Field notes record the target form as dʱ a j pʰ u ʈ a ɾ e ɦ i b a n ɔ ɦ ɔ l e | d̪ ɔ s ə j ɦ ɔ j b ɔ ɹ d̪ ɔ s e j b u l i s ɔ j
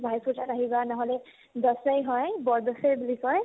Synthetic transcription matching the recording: bʱ a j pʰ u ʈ a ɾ a ɦ i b a n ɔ ɦ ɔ l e | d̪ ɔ s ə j ɦ ɔ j b ɔ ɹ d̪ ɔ s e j b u l i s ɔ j

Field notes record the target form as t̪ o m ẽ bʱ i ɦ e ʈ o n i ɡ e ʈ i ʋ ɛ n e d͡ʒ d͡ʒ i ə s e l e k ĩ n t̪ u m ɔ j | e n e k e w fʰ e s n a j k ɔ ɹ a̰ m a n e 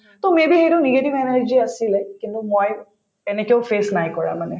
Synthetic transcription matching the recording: t̪ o m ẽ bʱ i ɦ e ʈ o n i ɡ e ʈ i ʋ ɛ n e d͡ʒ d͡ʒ i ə s i l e k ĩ n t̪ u m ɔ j | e n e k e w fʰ e s n a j k ɔ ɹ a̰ m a n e

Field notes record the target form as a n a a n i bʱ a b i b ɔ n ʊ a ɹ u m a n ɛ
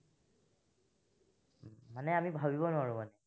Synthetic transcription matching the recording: a n ɛ a m i bʱ a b i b ɔ n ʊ a ɹ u m a n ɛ

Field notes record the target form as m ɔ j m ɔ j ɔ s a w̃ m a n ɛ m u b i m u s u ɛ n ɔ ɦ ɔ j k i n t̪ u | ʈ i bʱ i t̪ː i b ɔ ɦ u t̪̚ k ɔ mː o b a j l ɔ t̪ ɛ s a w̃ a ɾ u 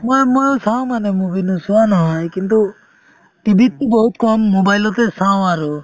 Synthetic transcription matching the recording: m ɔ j m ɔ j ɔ s a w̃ m a n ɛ m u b i n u s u a n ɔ ɦ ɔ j k i n t̪ u | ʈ i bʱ i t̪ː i b ɔ ɦ u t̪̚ k ɔ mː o b a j l ɔ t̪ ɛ s a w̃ a ɾ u

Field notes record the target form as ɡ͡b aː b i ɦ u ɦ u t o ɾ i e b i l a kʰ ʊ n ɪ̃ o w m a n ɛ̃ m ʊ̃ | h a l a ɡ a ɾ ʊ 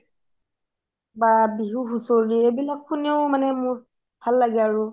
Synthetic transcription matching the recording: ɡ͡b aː b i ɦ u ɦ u s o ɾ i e b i l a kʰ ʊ n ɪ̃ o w m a n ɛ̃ m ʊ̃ | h a l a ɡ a ɾ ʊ

